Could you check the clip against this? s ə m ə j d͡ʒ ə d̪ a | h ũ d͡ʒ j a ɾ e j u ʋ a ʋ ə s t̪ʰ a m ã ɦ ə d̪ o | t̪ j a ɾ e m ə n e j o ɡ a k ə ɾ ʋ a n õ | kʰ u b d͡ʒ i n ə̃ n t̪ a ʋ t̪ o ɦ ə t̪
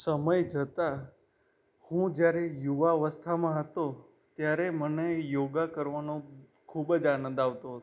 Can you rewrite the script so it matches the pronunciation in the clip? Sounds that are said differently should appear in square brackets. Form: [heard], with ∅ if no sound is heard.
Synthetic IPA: s ə m ə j d͡ʒ ə [t̪] a | h ũ d͡ʒ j a ɾ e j u ʋ a ʋ ə s t̪ʰ a m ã ɦ ə [t̪] o | t̪ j a ɾ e m ə n e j o ɡ a k ə ɾ ʋ a n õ | kʰ u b d͡ʒ [a] n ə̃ n [d̪] a ʋ t̪ o ɦ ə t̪